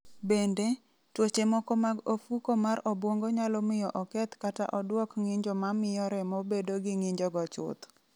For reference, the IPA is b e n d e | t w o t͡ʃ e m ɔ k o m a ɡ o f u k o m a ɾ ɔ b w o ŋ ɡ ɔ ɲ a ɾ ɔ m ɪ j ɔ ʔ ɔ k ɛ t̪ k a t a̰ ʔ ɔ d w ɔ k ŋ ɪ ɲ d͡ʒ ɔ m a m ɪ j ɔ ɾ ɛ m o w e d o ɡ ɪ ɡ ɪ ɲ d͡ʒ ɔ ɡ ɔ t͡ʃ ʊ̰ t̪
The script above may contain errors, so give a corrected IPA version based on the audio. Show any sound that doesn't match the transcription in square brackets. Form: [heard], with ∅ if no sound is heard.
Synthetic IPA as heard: b e n d e | t w o t͡ʃ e m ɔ k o m a ɡ o f u k o m a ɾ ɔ b w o ŋ ɡ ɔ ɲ a [l] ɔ m ɪ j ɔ ʔ ɔ k ɛ t̪ k a t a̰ ʔ ɔ d w ɔ k ŋ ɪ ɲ d͡ʒ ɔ m a m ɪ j ɔ ɾ ɛ m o [b] e d o ɡ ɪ [ŋ] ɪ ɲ d͡ʒ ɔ ɡ ɔ t͡ʃ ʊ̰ t̪